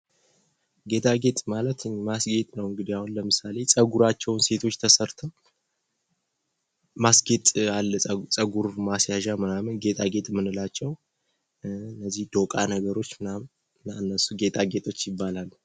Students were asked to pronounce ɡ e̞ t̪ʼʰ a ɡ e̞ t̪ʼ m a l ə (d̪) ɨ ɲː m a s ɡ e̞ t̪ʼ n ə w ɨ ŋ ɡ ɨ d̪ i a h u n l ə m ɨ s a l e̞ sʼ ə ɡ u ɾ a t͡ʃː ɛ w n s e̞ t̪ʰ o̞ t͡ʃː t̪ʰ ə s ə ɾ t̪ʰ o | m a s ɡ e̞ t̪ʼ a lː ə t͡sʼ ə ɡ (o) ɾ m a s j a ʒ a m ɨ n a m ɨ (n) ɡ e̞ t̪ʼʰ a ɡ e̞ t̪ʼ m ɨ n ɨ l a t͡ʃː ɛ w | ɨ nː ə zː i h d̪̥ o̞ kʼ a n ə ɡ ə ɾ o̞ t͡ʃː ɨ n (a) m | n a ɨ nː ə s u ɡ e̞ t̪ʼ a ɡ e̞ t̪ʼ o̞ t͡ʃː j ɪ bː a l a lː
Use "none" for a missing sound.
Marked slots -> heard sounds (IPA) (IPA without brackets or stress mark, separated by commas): t̪, u, n, a